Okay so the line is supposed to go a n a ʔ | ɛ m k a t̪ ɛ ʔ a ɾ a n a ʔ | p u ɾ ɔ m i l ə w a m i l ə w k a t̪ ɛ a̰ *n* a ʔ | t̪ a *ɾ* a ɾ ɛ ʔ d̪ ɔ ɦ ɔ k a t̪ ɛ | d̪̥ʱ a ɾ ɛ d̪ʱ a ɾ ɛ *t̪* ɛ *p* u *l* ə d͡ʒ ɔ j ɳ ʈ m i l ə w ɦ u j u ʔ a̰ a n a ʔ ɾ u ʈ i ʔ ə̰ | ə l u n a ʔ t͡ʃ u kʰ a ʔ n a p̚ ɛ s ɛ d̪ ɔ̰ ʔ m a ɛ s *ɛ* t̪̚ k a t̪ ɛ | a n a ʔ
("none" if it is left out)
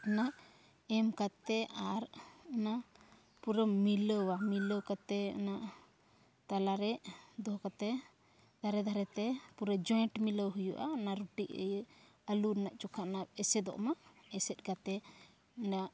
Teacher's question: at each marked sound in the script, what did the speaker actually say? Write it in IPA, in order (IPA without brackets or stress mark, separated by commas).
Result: n, l, t̪, p, ɾ, ɛ